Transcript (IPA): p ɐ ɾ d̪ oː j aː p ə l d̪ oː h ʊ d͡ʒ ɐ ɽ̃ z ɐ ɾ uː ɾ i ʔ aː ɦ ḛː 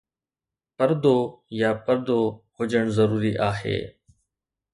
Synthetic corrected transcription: p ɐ ɾ d̪ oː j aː p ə ɾ d̪ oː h ʊ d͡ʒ ə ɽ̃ z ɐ ɾ uː ɾ i ʔ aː ɦ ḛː